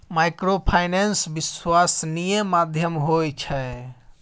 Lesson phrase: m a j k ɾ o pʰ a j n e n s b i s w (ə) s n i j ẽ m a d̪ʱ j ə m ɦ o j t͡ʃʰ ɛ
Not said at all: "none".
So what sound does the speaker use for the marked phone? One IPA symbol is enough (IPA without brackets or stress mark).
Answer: a